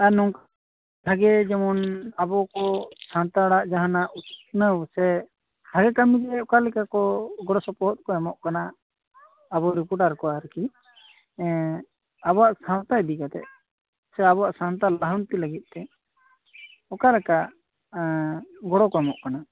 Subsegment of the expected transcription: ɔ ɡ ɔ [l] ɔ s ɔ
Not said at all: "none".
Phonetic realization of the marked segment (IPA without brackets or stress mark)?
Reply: ɽ